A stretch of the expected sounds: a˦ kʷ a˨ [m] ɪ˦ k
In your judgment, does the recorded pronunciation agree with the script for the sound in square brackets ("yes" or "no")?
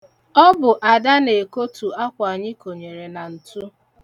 no